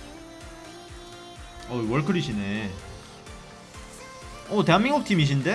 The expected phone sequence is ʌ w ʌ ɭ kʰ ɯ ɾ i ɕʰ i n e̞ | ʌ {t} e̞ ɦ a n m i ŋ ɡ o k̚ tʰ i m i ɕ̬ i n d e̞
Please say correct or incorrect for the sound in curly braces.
correct